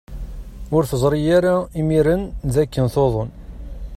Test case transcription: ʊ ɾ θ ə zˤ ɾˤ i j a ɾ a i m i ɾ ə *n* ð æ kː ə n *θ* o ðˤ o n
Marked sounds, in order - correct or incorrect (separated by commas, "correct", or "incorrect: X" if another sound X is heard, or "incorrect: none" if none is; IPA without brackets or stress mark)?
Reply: correct, correct